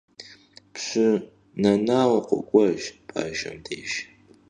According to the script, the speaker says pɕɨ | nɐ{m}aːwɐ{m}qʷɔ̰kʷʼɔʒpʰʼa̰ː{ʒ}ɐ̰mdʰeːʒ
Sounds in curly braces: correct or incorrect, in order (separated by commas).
incorrect, incorrect, correct